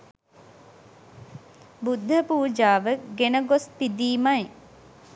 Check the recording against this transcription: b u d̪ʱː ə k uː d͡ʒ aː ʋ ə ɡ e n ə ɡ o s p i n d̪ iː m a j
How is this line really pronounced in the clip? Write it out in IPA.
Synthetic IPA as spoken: b u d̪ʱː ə p uː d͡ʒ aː ʋ ə ɡ e n ə ɡ o s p i d̪ iː m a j

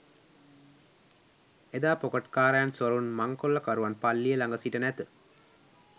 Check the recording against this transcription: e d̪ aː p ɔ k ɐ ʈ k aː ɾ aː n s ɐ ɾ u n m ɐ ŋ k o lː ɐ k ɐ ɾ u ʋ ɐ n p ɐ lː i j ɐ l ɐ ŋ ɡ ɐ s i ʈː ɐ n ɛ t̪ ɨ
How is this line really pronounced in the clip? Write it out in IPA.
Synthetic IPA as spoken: e d̪ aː p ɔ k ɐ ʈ k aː ɾ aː n s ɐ ɾ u n m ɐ ŋ k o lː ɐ k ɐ ɾ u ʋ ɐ n p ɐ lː i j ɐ l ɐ ŋ ɡ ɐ s i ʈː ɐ n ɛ t̪ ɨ

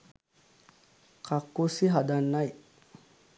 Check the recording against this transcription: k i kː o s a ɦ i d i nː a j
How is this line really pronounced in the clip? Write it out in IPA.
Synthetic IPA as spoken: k a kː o s i ɦ a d a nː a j

